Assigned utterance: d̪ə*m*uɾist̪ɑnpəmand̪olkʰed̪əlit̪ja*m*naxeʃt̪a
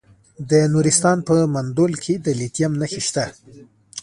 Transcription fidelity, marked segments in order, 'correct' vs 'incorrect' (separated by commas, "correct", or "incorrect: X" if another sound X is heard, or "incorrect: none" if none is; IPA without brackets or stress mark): incorrect: n, correct